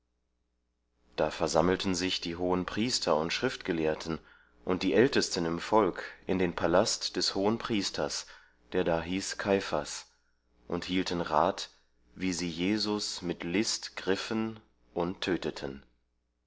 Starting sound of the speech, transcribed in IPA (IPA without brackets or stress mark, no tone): d̥